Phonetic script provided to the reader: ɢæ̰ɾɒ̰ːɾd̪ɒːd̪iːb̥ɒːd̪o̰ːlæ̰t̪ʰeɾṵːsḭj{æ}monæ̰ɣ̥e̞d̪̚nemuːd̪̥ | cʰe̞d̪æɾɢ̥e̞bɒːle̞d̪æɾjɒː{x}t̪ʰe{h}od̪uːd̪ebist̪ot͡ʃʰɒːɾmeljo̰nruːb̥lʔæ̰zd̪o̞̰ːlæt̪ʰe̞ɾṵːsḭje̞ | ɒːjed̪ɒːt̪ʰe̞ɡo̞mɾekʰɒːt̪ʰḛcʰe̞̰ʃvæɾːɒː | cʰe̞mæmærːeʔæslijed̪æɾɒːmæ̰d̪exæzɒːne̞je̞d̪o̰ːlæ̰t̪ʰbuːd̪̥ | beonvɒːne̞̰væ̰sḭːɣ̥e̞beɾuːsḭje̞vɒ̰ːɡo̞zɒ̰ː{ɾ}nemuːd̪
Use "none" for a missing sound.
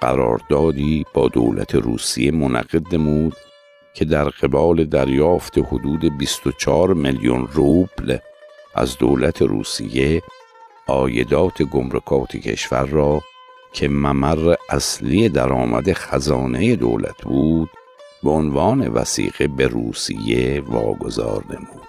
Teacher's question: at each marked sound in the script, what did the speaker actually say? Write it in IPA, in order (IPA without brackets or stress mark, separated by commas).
e, f, h, ɾ